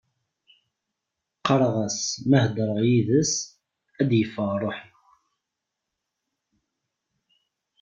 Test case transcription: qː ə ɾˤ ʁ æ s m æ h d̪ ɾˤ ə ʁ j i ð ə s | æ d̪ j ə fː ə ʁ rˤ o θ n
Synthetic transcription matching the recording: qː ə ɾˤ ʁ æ s m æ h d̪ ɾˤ ə ʁ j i ð ə s | æ d̪ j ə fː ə ʁ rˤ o ħ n

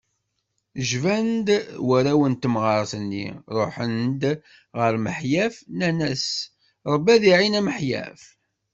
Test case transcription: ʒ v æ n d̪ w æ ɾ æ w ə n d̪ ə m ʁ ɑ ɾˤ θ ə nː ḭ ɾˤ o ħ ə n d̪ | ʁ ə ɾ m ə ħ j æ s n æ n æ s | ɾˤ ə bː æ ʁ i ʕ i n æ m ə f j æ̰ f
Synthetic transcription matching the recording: ʒ v æ n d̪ w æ ɾ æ w ə n t̪ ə m ʁ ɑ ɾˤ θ ə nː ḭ ɾˤ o ħ ə n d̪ | ʁ ə ɾ m ə ħ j æ f n æ n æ s | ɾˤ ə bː æ ð i ʕ i n æ m ə ħ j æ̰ f

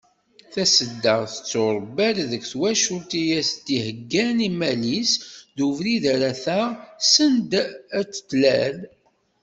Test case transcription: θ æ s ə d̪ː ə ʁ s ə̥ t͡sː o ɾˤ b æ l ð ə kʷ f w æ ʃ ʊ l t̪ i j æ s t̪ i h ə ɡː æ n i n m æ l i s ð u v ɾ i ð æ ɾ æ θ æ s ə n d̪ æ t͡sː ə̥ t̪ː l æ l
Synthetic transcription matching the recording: θ æ s ə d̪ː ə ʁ θ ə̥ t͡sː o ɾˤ b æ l ð ə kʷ θ w æ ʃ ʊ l t̪ i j æ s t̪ i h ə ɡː æ n i m æ l i s ð u v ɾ i ð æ ɾ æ θ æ s ə n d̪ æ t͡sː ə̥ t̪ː l æ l

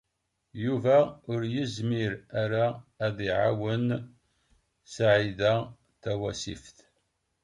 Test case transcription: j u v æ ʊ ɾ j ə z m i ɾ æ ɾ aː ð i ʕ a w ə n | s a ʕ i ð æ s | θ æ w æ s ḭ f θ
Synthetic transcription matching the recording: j u v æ ʊ ɾ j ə z m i ɾ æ ɾ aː ð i ʕ a w ə n | s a ʕ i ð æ | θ æ w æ s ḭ f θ

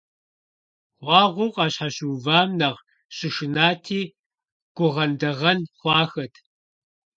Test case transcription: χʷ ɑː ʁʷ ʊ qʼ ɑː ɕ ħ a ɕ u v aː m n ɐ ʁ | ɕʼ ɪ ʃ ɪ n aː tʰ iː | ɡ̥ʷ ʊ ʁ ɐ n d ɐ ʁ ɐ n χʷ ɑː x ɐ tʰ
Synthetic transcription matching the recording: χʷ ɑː ʁʷ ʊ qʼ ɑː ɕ ħ a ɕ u v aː m n ɐ ʁ | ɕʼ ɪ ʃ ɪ n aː tʰ iː | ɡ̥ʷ ʊ ʁ ɐ n d ɐ ʁ ɐ n χʷ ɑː x ɐ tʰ

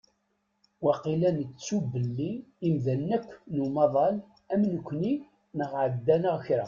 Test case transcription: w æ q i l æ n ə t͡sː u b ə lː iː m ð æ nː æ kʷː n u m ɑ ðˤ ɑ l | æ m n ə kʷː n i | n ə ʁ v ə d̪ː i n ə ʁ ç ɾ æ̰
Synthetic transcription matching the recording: w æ q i l æ n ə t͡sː u b ə lː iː m ð æ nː æ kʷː n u m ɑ ðˤ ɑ l | æ m n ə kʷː n i | n ə ʁ ʕ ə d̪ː æ n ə ʁ ç ɾ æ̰

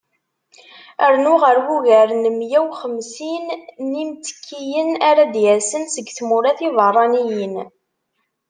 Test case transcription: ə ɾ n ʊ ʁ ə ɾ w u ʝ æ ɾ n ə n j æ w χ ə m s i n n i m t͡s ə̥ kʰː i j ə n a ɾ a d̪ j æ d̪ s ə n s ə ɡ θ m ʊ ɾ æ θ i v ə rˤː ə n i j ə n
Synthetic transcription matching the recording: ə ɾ n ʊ ʁ ə ɾ w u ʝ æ ɾ n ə m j æ w χ ə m s i n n i m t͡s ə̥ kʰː i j ə n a ɾ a d̪ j æ s ə n s ə ɡ θ m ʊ ɾ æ θ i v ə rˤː ɑ n i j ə n

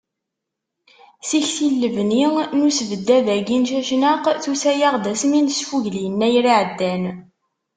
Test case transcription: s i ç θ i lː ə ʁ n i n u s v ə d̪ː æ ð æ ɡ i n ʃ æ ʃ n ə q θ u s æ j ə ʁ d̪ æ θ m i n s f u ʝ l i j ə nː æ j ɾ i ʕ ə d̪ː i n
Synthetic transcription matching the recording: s i ç θ i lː ə v n i n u s v ə d̪ː æ ð æ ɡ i n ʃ æ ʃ n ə q θ u s æ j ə ʁ d̪ æ s m i n s f u ʝ l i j ə nː æ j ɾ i ʕ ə d̪ː æ n

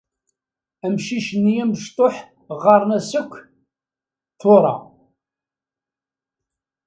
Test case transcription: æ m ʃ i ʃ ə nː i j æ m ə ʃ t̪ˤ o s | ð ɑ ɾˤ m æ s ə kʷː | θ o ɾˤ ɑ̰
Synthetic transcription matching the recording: æ m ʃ i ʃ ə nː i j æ m ə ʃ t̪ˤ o ħ | ʁ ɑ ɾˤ n æ s ə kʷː | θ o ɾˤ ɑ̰

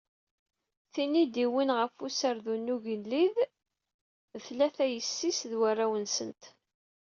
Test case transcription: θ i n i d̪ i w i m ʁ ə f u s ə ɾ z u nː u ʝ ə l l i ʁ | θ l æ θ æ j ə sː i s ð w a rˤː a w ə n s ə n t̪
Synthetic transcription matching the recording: θ i n i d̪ i w i n ʁ ə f u s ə ɾ ð u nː u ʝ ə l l i ð | θ l æ θ æ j ə sː i s ð w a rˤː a w ə n s ə n t̪

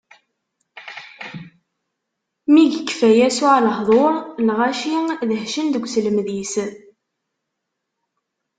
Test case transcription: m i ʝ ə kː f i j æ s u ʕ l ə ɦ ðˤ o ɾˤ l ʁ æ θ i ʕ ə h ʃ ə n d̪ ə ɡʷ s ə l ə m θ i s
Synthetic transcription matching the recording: m i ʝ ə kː f æ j æ s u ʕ l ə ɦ ðˤ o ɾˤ l ʁ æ ʃ i ð ə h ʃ ə n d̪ ə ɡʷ s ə l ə m ð i s

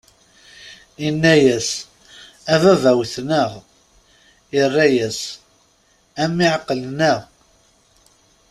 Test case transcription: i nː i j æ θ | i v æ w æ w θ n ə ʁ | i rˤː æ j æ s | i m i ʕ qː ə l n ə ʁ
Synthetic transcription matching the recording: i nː æ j æ s | æ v æ v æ w θ n ə ʁ | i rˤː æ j æ s | æ m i ʕ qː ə l n ə ʁ

